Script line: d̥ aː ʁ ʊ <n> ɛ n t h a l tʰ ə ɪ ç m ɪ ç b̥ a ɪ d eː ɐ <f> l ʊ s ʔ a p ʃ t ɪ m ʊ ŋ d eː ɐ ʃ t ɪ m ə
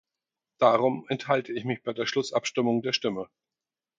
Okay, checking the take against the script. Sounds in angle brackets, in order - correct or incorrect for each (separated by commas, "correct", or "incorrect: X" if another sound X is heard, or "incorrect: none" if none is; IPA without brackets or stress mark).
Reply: incorrect: m, incorrect: ʃ